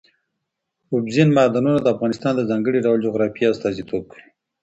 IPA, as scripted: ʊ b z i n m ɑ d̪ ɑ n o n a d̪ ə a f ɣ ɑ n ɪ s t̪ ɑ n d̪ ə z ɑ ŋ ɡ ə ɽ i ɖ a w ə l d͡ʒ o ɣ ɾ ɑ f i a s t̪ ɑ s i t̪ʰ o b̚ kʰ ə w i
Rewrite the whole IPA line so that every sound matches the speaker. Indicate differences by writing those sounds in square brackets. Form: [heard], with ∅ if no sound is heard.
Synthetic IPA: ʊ b z i n m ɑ d̪ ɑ n [u] n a d̪ ə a f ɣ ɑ n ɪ s t̪ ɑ n d̪ ə z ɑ ŋ ɡ ə ɽ i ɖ a w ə l d͡ʒ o ɣ ɾ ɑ f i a s t̪ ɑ [z] i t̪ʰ o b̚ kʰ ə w i